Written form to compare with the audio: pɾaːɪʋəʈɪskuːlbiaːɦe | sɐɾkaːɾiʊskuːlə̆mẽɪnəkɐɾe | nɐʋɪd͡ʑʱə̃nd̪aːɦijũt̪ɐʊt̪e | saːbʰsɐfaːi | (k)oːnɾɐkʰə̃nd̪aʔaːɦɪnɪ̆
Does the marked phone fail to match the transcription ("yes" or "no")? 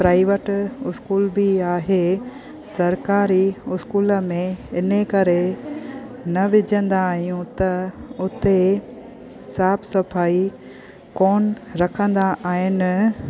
no